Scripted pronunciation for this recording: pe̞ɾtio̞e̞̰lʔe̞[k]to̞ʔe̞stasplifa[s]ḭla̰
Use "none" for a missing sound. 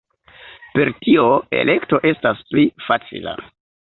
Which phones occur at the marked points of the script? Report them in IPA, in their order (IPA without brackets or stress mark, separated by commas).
k, t͡s